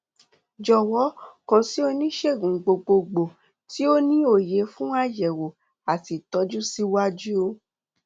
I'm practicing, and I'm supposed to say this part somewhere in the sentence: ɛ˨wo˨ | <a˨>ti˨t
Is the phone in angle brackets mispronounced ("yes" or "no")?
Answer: no